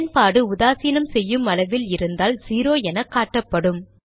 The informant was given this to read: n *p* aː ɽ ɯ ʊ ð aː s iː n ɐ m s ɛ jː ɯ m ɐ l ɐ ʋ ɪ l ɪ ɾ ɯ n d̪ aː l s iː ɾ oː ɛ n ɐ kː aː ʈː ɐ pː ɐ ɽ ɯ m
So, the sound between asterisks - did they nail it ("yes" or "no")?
yes